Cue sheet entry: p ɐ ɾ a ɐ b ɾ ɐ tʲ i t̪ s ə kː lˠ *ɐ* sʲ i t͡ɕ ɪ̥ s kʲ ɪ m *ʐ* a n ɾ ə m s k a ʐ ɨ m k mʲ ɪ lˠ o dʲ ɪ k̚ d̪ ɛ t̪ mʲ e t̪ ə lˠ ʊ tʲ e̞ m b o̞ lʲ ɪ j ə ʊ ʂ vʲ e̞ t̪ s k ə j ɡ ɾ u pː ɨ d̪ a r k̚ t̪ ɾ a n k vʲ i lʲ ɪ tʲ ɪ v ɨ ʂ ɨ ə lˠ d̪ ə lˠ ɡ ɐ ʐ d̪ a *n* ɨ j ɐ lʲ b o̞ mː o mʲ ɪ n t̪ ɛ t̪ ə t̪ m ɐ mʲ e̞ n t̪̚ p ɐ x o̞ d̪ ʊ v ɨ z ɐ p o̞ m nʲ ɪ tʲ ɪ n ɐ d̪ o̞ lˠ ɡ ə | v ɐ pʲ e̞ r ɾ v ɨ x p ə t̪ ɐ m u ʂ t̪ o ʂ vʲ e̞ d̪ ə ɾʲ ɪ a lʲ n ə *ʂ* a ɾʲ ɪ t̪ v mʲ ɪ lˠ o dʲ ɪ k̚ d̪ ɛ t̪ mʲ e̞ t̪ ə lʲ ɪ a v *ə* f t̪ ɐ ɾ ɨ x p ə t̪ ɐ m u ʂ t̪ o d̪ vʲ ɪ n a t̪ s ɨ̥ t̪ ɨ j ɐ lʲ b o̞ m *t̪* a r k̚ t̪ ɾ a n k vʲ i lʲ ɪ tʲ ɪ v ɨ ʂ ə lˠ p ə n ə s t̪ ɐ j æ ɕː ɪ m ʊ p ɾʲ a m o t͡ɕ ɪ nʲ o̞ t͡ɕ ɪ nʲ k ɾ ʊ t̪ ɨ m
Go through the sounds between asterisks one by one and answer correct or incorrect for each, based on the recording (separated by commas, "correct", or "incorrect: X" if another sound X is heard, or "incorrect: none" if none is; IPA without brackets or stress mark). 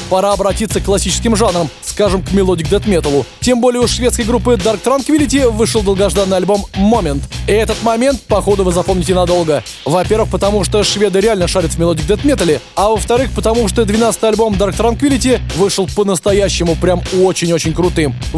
correct, correct, incorrect: nː, correct, correct, incorrect: d̪